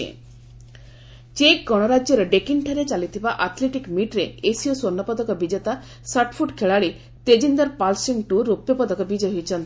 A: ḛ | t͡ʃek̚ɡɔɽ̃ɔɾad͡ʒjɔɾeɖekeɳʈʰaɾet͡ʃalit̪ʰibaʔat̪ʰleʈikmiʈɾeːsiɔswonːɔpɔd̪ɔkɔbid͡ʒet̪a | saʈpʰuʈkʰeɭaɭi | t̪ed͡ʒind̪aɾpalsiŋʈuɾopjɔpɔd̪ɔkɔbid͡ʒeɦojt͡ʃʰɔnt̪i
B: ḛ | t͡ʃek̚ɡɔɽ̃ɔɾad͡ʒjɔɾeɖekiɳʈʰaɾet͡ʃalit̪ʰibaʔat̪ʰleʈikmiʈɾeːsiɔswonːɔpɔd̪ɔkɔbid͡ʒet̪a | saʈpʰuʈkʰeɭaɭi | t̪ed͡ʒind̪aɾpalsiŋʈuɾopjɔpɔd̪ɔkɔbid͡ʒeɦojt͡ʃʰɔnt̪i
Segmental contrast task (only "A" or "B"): B